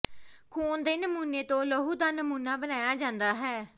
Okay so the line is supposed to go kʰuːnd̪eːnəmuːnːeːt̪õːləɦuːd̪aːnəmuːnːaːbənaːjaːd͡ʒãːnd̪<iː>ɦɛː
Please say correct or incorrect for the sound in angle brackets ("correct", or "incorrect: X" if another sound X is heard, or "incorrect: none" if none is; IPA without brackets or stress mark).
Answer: incorrect: aː